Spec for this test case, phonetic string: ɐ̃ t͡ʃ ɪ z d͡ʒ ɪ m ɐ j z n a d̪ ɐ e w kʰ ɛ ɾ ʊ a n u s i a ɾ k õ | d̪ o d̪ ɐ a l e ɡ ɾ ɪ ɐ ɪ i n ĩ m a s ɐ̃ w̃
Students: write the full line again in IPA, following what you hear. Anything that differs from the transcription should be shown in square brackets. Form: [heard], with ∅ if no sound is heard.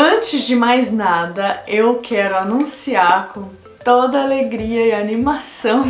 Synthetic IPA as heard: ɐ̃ t͡ʃ ɪ z d͡ʒ ɪ m [a] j z n a d̪ ɐ e w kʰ ɛ ɾ ʊ a n [ũ] s i a ɾ k õ | [t̪] o d̪ ɐ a l e ɡ ɾ [i] ɐ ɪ [a] n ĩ m a s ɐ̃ w̃